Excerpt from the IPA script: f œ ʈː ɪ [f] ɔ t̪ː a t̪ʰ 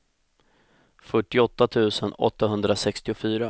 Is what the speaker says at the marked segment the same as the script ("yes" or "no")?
no